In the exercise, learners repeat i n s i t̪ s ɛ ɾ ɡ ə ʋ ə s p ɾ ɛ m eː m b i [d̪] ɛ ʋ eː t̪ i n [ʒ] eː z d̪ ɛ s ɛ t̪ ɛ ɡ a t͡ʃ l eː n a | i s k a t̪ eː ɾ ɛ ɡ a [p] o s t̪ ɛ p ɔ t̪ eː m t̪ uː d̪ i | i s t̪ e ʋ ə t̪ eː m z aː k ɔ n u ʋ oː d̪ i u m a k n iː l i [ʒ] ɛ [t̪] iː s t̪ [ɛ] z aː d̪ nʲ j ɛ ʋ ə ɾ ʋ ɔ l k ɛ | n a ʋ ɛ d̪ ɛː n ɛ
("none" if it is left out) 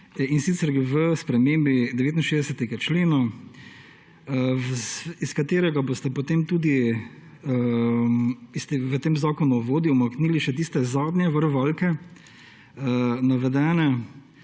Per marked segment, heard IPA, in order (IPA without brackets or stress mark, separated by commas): d̪, ʃ, b, ʃ, t̪, ɛ